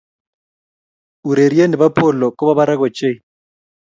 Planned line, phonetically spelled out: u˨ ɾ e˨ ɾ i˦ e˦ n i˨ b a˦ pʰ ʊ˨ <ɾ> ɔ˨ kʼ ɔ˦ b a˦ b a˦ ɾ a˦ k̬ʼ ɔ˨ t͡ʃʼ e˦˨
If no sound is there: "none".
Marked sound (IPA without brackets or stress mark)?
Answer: l